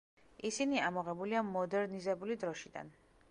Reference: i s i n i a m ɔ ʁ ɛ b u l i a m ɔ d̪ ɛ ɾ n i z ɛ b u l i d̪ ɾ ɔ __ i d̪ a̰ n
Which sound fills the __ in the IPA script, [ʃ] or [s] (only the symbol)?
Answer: ʃ